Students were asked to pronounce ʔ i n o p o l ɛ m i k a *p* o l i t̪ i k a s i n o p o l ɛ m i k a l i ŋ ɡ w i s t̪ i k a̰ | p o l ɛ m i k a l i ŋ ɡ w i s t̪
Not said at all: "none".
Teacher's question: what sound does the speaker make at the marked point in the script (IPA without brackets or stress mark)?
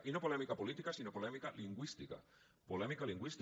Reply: p